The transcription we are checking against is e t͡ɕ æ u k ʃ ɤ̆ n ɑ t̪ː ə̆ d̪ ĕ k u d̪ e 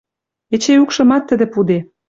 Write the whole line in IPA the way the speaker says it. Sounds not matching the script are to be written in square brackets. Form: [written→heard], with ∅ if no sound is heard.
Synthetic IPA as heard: e t͡ɕ [æ→e] u k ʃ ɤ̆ [n→m] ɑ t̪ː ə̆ d̪ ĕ [k→p] u d̪ e